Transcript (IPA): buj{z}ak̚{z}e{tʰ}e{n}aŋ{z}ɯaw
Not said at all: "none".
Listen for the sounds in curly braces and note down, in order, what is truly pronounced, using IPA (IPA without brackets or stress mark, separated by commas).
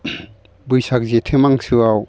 s, z, tʰ, m, s